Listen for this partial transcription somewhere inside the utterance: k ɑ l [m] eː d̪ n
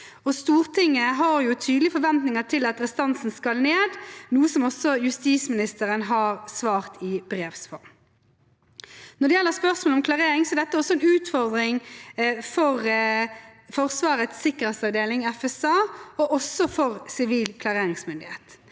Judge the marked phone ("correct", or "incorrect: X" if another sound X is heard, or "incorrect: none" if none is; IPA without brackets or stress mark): incorrect: n